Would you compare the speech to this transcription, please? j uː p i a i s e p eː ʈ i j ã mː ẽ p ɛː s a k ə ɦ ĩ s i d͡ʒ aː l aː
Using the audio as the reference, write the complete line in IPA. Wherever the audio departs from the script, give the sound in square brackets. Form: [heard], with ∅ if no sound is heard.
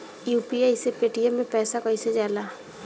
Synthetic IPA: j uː p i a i s e p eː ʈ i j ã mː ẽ p ɛː s a k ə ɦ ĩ s [e] d͡ʒ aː l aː